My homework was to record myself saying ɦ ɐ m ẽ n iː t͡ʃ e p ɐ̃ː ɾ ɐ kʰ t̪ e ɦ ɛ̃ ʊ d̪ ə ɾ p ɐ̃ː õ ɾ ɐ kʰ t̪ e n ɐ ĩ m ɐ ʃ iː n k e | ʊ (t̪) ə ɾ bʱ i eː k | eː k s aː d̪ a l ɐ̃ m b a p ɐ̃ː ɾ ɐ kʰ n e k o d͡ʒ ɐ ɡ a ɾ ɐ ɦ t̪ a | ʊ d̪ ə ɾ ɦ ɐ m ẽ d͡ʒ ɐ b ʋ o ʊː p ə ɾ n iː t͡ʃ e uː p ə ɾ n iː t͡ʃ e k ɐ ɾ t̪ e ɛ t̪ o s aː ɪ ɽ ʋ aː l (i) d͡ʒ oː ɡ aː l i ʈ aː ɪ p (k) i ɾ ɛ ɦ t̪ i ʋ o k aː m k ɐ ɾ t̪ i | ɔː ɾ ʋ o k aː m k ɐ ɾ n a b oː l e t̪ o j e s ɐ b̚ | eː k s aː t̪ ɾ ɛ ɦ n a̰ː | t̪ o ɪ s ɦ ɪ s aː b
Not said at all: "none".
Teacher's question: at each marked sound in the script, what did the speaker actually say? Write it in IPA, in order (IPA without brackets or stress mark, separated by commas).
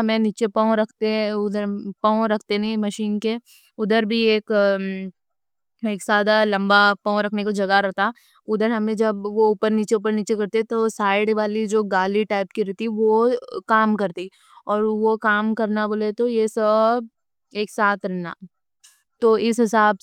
d̪, i, k